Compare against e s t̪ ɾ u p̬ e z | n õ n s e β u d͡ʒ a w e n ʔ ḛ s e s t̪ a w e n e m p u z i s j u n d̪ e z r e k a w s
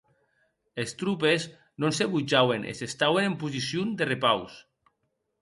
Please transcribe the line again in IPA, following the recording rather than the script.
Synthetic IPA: e s t̪ ɾ u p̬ e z | n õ n s e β u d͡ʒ a w e n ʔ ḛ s e s t̪ a w e n e m p u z i s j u n d̪ e r e p a w s

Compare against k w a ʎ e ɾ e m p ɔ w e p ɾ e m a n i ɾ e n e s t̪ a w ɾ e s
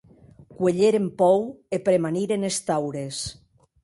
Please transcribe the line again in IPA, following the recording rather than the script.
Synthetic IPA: k w e ʎ e ɾ e m p ɔ w e p ɾ e m a n i ɾ e n e s t̪ a w ɾ e s

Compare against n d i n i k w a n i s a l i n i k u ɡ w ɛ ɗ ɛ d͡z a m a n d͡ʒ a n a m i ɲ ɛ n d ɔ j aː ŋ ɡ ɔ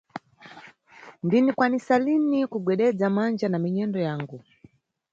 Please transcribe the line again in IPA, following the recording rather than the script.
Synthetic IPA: n d i n i k w a n i s a l i n i k u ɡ w ɛ ɗ ɛ d͡z a m a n d͡ʒ a n a m i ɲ ɛ n d ɔ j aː ŋ ɡ u

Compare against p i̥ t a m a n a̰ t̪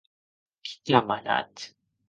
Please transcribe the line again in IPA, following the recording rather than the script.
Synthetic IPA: k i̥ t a m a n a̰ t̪

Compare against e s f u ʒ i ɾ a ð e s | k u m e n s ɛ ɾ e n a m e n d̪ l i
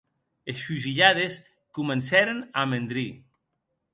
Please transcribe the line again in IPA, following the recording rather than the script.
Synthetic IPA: e s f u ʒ i ʎ a ð e s | k u m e n s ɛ ɾ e n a m e n d̪ ɾ i

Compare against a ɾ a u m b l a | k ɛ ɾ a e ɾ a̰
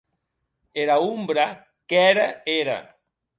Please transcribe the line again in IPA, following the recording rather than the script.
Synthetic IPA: e ɾ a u m b ɾ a | k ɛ ɾ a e ɾ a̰

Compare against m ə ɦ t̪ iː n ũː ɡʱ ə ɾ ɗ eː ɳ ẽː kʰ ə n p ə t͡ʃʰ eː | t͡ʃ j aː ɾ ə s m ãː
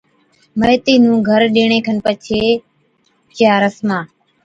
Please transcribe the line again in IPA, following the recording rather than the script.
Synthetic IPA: m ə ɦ t̪ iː n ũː ɡʱ ə ɾ ɗ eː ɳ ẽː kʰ ə n p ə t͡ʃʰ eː | t͡ʃ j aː ɾ ə s m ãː

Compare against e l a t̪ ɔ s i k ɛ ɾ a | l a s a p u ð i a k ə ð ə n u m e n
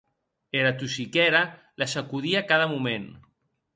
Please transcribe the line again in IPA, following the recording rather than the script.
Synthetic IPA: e ɾ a t̪ u s i k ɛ ɾ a | l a s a k u ð i a k a ð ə m u m e n

